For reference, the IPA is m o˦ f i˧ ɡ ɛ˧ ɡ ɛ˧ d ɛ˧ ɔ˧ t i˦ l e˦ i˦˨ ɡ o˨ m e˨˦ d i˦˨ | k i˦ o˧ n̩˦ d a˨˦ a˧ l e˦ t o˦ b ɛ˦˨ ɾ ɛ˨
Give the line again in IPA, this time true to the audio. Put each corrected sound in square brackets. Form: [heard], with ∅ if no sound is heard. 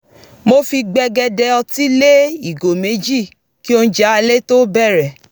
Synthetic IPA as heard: m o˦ f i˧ [ɡ͡b] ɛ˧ ɡ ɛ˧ d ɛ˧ ɔ˧ t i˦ l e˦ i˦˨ ɡ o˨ m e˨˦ [d͡ʒ] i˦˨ | k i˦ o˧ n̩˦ [d͡ʒ] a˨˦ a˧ l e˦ t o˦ b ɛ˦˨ ɾ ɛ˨